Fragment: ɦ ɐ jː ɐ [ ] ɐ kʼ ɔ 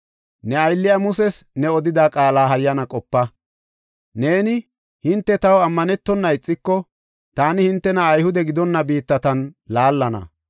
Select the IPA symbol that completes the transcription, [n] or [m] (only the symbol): n